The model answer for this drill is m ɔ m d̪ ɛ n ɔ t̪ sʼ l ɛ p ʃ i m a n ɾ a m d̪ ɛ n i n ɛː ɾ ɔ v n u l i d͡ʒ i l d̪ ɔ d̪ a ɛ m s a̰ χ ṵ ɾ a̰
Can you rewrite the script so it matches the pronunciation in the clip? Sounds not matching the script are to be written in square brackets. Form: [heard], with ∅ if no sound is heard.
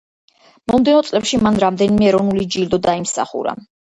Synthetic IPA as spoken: m ɔ m d̪ ɛ n ɔ t̪ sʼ l ɛ p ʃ i m a n ɾ a m d̪ ɛ n i [m] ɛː ɾ ɔ v n u l i d͡ʒ i l d̪ ɔ d̪ a [i] m s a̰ χ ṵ ɾ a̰